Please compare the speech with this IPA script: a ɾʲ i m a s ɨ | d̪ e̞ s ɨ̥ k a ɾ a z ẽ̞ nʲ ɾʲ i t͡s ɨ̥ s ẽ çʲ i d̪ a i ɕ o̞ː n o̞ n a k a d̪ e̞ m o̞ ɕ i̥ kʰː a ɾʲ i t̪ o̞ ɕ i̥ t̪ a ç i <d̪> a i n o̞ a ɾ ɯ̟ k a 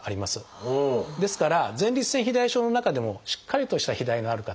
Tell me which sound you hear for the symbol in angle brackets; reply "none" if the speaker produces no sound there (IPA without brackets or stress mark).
d̪